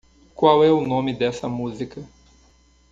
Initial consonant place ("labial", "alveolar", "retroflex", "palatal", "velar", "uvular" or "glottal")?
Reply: velar